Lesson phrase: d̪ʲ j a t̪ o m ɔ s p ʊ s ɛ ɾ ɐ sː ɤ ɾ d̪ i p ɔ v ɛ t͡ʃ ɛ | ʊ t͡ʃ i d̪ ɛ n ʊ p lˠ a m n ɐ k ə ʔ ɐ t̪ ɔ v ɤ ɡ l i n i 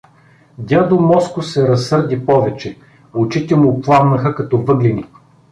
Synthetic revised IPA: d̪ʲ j a d̪ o m ɔ s k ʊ s ɛ ɾ ɐ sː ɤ ɾ d̪ i p ɔ v ɛ t͡ʃ ɛ | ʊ t͡ʃ i t̪ ɛ m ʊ p lˠ a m n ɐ x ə k ɐ t̪ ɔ v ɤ ɡ l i n i